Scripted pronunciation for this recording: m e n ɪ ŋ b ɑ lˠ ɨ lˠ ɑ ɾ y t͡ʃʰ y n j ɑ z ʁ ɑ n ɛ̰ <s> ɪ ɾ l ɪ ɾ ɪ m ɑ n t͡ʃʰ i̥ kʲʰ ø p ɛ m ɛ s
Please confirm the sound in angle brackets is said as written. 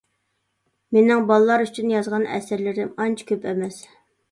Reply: yes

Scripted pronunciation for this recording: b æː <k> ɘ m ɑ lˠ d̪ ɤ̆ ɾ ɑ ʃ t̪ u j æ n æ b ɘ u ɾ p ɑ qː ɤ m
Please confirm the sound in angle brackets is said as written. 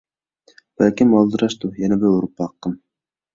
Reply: yes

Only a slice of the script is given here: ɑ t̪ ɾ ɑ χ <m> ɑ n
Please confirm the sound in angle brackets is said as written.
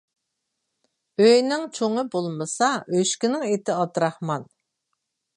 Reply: yes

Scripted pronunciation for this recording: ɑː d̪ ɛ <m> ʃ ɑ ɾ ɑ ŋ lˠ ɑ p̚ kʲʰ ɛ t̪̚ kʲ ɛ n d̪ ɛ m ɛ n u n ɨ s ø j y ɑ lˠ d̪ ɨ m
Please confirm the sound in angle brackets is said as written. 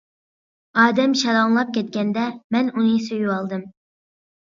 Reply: yes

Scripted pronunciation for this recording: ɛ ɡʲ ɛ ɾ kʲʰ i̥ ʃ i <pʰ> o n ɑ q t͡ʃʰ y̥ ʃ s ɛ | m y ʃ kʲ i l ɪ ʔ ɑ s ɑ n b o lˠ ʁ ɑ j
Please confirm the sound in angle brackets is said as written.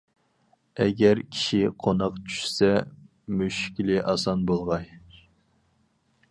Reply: no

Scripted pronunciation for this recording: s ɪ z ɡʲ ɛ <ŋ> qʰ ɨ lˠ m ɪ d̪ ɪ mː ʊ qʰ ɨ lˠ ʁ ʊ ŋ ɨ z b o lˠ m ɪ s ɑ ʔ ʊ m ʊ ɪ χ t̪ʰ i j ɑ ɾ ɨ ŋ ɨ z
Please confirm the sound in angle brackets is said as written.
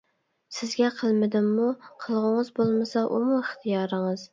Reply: no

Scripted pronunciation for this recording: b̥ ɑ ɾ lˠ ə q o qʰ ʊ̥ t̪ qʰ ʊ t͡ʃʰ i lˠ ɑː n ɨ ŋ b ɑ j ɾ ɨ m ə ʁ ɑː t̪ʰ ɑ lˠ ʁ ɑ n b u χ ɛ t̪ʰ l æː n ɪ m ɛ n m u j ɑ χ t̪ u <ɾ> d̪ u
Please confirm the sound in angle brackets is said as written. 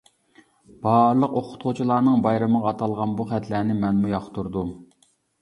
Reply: yes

